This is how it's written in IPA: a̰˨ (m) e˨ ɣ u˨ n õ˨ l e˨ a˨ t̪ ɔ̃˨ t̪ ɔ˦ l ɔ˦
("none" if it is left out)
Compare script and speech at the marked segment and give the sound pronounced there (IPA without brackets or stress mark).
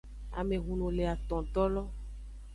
m